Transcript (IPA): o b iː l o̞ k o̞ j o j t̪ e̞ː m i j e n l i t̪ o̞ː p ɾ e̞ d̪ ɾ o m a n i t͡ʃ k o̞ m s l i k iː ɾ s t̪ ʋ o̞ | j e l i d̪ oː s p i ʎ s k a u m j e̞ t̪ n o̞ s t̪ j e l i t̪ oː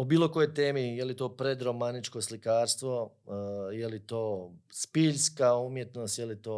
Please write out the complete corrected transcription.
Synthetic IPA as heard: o b iː l o̞ k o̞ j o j t̪ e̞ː m i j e l i t̪ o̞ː p ɾ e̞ d̪ ɾ o m a n i t͡ʃ k o̞ s l i k aː ɾ s t̪ ʋ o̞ | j e l i t̪ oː s p i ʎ s k a u m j e̞ t̪ n o̞ s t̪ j e l i t̪ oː